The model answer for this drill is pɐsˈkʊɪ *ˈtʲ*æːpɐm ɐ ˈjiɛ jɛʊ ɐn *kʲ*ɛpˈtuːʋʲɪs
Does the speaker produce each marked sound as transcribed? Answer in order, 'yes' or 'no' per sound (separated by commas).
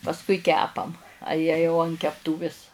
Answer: no, yes